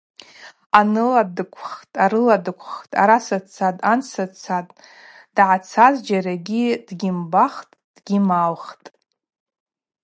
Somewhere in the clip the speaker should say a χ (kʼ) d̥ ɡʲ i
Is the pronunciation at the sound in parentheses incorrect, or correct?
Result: incorrect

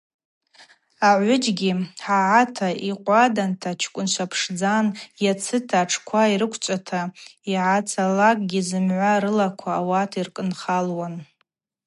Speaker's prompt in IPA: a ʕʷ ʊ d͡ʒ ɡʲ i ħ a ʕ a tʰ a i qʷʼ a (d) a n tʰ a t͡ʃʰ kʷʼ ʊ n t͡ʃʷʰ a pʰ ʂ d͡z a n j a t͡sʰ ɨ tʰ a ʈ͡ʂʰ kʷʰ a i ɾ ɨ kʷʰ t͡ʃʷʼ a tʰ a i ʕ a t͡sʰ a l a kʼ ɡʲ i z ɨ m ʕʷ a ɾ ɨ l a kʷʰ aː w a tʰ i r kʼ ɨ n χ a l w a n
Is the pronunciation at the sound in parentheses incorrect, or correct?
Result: correct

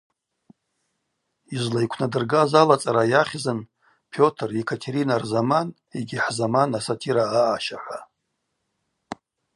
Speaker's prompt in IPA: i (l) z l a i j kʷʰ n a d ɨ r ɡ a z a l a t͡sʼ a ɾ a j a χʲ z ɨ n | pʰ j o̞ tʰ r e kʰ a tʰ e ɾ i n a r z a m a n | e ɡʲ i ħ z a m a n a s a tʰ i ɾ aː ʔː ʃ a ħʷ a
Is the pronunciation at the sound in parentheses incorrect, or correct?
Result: incorrect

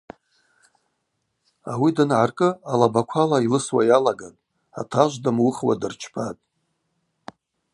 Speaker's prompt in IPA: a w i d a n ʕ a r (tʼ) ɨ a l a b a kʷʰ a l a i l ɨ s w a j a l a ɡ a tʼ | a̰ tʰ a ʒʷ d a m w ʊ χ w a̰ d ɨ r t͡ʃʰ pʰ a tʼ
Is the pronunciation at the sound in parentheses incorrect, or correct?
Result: incorrect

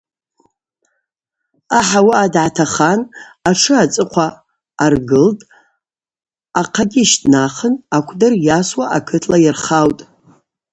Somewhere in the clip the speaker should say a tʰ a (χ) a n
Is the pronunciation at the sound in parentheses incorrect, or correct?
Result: correct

